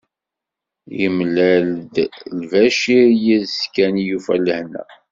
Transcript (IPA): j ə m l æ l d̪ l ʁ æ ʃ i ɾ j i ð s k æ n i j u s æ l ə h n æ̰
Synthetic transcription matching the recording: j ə m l æ l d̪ l v æ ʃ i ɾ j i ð s k æ n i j u f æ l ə h n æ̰